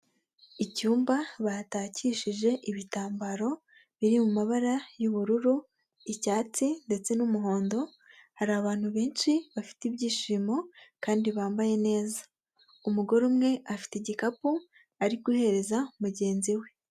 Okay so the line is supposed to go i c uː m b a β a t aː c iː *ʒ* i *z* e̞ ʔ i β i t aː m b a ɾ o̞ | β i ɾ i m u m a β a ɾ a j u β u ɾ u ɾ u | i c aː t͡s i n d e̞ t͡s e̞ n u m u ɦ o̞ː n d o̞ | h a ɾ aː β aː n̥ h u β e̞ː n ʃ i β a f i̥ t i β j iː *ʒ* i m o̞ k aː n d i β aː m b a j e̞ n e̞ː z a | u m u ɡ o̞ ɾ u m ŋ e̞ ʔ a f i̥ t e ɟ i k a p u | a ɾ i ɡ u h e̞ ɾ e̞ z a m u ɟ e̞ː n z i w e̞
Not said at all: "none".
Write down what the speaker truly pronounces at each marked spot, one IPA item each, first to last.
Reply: ʃ, ʒ, ʃ

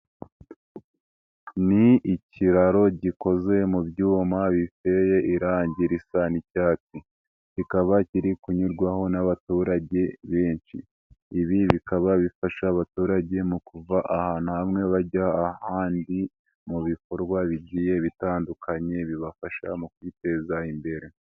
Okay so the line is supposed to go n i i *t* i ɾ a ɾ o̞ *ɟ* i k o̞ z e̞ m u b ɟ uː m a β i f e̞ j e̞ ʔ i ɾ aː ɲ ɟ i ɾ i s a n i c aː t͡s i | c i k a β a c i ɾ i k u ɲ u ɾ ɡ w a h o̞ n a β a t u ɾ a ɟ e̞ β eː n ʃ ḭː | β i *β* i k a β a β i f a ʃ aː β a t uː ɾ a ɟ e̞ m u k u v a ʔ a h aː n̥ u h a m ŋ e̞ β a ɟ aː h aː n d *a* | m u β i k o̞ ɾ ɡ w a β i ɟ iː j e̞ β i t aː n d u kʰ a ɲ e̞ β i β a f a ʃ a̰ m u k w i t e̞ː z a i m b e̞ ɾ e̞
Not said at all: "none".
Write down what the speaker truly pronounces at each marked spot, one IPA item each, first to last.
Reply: c, ɟ, β, i

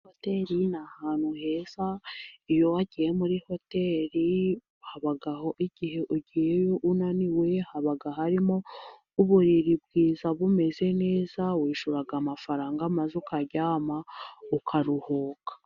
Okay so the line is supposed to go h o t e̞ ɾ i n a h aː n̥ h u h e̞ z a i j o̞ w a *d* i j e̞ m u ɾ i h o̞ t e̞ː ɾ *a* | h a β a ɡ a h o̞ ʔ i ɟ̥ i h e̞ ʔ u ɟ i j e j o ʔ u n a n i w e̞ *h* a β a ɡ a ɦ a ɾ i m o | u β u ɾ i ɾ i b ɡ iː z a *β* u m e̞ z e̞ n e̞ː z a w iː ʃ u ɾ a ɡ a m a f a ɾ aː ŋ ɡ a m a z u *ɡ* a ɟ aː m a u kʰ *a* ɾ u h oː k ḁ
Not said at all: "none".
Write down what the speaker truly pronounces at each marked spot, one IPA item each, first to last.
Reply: ɟ, i, h, β, k, a

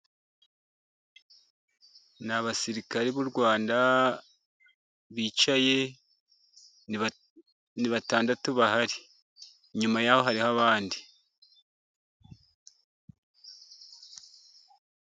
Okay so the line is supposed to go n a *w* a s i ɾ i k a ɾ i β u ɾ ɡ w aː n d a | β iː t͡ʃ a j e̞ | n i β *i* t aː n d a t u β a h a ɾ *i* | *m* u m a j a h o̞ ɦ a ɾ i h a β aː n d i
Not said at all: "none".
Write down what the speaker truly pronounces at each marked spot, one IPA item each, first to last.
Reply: β, a, i, ɲ

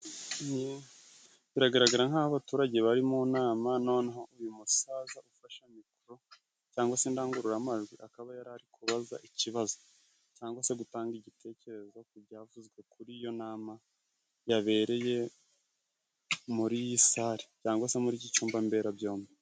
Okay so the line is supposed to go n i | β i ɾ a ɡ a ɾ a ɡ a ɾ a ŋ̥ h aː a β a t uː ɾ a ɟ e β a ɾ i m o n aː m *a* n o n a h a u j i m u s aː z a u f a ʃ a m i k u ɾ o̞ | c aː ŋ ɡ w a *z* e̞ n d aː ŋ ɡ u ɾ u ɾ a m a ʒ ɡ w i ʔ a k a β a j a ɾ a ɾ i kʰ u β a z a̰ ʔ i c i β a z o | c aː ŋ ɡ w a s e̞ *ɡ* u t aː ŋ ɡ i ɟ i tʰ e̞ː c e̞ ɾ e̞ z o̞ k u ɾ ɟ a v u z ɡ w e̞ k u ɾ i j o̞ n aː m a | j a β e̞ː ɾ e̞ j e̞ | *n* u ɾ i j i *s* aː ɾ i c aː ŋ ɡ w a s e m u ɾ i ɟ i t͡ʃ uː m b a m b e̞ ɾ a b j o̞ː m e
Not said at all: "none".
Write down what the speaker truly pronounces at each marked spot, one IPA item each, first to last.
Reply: a, s, ɡ, m, s

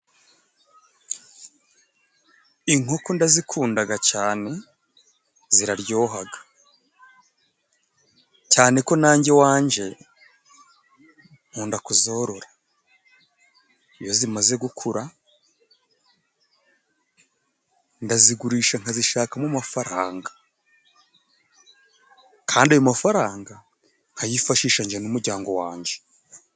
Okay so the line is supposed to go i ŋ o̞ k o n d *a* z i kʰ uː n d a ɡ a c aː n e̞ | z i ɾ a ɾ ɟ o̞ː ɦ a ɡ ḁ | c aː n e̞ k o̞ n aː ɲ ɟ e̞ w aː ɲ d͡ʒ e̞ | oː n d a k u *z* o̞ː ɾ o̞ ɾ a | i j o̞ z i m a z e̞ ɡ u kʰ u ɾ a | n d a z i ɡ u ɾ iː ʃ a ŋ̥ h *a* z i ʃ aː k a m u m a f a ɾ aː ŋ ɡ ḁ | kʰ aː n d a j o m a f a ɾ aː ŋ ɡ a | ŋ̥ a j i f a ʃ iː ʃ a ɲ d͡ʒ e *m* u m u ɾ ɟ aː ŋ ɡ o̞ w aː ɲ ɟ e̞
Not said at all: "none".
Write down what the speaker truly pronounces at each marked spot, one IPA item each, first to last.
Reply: a, z, a, n

